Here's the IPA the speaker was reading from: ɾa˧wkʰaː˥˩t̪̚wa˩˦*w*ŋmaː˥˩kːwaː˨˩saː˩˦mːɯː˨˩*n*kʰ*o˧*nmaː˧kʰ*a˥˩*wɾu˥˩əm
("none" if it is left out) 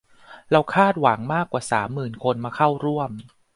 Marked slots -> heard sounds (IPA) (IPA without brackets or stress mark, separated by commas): none, n, o˧, a˥˩